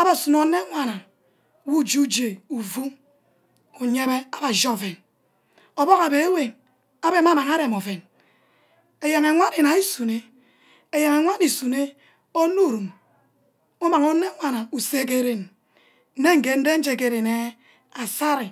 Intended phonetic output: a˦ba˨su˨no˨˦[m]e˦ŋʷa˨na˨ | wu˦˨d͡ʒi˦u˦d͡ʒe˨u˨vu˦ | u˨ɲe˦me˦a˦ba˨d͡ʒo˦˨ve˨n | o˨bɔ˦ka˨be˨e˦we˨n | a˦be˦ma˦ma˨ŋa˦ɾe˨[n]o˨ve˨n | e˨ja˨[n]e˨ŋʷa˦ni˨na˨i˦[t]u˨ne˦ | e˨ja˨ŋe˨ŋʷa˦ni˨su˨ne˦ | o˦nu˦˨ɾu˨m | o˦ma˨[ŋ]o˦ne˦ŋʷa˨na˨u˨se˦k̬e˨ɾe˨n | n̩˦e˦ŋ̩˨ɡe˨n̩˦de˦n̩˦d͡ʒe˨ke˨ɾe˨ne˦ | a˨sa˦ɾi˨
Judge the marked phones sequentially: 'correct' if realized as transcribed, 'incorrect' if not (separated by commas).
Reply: incorrect, incorrect, incorrect, incorrect, correct